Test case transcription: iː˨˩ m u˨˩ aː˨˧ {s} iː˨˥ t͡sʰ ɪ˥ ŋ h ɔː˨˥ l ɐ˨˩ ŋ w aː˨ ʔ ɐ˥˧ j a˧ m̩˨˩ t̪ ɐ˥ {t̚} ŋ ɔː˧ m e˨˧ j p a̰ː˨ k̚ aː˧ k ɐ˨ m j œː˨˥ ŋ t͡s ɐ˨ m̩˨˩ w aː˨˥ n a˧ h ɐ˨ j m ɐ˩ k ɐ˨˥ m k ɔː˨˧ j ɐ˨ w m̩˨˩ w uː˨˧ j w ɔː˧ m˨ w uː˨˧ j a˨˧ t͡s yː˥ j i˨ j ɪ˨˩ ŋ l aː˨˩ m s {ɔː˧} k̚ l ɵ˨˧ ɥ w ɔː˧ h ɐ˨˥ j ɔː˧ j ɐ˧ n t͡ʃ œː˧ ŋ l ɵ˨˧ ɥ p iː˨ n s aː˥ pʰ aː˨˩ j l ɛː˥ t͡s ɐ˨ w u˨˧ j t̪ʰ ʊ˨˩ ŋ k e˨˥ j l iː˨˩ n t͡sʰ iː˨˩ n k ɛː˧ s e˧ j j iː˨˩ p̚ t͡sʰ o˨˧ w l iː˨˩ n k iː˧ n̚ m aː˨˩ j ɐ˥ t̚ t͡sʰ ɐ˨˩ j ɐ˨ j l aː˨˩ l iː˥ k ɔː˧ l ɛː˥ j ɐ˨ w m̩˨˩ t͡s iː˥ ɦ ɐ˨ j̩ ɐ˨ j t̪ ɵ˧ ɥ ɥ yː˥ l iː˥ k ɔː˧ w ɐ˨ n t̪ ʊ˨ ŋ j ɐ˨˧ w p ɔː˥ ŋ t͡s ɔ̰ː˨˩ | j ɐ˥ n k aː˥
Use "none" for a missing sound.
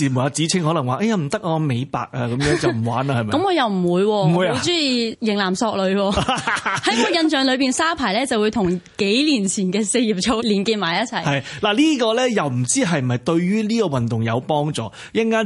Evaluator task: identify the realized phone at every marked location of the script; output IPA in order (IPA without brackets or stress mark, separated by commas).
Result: t͡s, k̚, ɔː˧